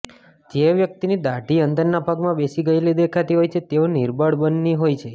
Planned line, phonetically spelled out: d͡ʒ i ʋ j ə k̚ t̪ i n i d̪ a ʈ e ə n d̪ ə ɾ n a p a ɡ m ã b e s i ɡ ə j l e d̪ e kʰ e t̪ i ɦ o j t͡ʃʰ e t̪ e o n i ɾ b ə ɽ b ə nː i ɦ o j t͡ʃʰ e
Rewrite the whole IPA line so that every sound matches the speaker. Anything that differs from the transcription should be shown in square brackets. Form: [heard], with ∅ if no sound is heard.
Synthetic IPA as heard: d͡ʒ [e] ʋ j ə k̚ t̪ i n i d̪ a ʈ [i] ə n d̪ ə ɾ n a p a ɡ m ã b e s i ɡ ə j l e d̪ e kʰ [a] t̪ i ɦ o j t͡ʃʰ e t̪ e o n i ɾ b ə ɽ b ə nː i ɦ o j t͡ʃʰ e